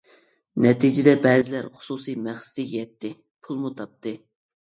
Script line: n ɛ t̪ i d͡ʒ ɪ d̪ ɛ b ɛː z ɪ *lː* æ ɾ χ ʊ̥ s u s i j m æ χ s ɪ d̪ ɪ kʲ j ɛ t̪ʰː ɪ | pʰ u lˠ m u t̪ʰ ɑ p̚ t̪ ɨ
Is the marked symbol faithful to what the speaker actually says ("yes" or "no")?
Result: no